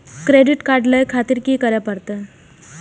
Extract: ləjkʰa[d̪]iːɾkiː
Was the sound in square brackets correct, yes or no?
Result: no